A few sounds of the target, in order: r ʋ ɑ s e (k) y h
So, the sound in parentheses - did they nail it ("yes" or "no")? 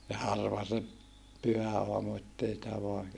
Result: no